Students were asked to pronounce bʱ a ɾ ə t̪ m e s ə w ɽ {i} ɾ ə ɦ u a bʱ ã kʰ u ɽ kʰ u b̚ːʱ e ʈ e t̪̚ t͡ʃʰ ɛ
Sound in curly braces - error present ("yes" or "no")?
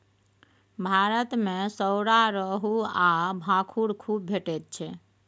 yes